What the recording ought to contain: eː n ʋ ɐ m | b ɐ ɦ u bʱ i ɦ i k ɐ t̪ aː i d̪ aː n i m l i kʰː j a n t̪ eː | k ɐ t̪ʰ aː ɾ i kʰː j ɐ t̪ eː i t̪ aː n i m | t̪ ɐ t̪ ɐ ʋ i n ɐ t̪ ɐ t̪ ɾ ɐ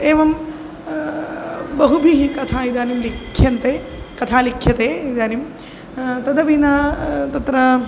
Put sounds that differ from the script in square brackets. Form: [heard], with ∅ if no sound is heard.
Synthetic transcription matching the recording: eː [∅] ʋ ɐ m | b ɐ ɦ u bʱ i ɦ i k ɐ [t̪ʰ] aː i d̪ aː n i m l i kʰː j [ɐ] n t̪ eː | k ɐ t̪ʰ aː [l] i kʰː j ɐ t̪ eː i [d̪] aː n i m | t̪ ɐ [d̪] ɐ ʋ i n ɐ t̪ ɐ t̪ ɾ ɐ